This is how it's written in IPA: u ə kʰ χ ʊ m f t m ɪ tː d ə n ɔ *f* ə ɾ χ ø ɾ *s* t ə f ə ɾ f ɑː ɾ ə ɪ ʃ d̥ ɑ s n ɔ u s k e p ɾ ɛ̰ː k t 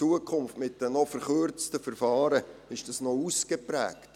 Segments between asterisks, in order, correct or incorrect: correct, incorrect

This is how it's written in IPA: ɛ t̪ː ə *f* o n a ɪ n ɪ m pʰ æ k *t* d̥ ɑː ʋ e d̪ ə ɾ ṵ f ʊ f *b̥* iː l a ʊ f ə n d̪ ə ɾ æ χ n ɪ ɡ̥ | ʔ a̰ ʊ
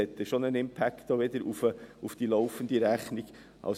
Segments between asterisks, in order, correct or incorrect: incorrect, correct, incorrect

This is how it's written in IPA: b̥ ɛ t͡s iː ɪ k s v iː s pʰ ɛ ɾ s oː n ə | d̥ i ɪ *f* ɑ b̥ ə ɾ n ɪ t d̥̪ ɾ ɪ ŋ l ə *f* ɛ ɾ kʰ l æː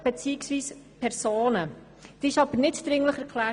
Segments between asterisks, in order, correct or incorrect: incorrect, incorrect

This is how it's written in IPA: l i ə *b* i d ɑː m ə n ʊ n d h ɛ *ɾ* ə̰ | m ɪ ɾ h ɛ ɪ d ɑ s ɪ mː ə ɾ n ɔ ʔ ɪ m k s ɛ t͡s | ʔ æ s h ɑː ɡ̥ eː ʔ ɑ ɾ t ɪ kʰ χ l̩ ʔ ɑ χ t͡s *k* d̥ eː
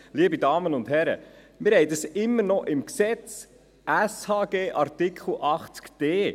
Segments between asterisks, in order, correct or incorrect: correct, correct, correct

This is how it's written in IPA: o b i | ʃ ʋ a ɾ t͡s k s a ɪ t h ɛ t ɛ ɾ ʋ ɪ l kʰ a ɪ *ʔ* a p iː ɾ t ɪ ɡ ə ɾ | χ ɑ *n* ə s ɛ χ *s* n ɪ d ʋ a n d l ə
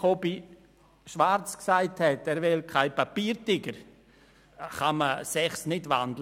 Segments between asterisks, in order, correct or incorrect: incorrect, incorrect, correct

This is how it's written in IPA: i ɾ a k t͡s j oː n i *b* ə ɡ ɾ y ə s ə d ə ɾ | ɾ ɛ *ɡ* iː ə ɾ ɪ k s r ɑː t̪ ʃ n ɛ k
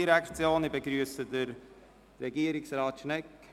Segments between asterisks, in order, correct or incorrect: correct, correct

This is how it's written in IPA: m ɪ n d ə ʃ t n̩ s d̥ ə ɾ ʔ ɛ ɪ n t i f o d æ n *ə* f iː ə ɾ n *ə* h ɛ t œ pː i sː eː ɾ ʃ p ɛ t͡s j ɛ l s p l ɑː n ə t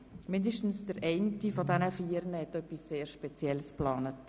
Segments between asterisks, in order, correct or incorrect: correct, correct

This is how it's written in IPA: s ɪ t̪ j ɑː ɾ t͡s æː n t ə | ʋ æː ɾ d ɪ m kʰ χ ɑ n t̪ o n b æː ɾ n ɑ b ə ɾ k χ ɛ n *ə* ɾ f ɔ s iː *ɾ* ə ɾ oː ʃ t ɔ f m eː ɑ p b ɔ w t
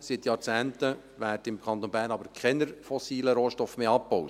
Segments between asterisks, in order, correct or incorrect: correct, incorrect

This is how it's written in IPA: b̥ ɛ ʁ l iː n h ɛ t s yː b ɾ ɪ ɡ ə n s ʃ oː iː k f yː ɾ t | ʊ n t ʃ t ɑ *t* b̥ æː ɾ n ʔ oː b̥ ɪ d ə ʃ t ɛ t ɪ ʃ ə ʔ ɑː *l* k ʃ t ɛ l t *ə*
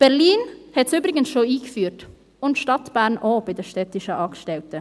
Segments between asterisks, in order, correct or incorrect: correct, incorrect, correct

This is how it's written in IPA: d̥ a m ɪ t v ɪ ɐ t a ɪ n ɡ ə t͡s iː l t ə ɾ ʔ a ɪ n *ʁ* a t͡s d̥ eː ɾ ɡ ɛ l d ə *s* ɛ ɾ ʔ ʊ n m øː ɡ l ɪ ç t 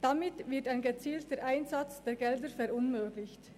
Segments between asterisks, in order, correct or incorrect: incorrect, incorrect

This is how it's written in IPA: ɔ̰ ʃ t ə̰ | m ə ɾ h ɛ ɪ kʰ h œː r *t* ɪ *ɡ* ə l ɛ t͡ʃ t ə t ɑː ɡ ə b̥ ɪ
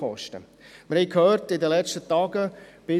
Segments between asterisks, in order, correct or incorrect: correct, incorrect

